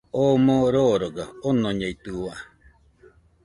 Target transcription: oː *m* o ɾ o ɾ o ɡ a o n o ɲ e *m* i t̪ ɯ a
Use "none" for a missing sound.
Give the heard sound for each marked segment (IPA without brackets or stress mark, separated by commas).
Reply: m, none